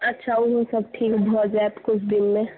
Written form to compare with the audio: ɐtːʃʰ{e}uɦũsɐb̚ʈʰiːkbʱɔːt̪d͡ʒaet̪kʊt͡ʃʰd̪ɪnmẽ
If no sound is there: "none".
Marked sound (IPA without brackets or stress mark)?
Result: a